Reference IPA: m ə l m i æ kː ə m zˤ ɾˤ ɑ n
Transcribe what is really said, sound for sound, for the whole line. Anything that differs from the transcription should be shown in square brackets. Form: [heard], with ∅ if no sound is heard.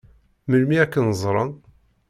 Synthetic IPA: m ə l m i æ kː ə [n] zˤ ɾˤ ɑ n